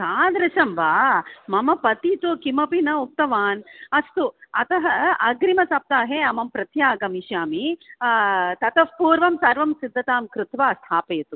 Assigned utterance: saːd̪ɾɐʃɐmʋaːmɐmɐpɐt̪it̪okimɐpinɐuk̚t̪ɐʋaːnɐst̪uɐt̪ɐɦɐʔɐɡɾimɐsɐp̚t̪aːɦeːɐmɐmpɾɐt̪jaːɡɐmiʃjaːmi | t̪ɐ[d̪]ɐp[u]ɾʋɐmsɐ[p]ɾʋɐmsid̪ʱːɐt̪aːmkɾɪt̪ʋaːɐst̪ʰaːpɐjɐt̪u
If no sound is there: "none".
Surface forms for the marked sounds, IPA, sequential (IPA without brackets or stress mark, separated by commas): t̪, uː, none